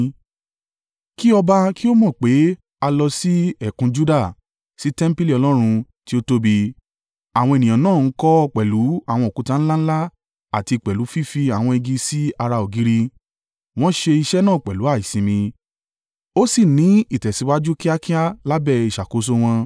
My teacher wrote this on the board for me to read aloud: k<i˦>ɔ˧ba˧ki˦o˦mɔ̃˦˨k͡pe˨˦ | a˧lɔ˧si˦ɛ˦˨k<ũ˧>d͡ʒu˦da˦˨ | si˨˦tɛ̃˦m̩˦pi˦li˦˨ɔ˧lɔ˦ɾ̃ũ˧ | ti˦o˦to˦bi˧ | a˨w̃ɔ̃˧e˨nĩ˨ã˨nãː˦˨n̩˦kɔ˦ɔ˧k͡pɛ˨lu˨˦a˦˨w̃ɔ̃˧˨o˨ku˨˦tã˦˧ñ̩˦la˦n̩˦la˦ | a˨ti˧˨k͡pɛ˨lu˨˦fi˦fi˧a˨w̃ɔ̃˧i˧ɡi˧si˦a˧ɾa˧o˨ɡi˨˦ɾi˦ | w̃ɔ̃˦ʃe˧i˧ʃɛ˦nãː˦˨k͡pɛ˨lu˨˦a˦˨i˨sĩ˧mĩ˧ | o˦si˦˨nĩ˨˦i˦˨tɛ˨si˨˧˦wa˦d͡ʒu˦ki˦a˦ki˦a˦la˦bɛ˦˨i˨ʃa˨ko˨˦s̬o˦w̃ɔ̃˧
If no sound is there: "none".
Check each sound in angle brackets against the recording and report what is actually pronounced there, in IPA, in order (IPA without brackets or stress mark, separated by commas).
i˦, ũ˧